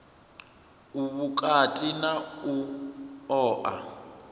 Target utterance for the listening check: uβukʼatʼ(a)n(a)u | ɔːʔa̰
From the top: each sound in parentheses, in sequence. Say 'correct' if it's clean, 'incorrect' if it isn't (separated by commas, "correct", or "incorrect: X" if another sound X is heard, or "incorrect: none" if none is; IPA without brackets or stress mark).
incorrect: i, correct